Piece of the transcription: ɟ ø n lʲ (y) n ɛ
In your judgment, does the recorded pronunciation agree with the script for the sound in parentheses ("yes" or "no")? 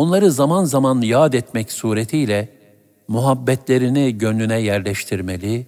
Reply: yes